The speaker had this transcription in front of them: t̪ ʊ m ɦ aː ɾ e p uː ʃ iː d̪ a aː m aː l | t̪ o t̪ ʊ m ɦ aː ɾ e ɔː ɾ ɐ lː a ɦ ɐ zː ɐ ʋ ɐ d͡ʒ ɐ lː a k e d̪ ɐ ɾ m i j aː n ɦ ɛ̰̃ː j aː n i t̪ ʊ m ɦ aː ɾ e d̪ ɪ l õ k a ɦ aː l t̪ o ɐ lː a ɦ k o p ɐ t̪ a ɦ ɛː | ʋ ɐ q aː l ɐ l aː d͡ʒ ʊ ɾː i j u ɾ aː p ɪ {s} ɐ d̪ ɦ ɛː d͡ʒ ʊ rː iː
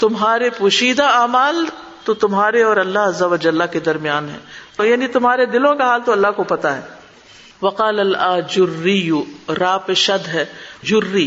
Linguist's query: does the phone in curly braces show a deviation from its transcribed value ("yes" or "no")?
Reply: yes